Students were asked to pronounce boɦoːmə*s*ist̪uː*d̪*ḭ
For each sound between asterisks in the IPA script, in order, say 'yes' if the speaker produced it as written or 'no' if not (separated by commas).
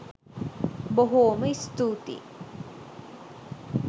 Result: no, no